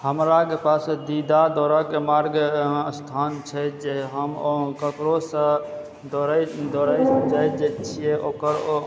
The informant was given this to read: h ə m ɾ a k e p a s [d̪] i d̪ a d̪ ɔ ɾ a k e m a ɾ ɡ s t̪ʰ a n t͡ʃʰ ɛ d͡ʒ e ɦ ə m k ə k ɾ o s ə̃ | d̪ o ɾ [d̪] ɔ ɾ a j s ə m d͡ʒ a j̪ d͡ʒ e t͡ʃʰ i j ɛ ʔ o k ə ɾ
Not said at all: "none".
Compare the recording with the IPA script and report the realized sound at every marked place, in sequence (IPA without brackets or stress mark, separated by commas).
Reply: d̪, d̪